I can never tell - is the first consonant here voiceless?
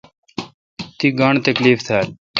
yes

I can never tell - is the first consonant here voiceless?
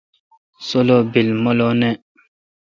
yes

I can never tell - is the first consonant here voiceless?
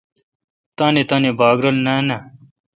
yes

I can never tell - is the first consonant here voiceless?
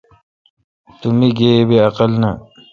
yes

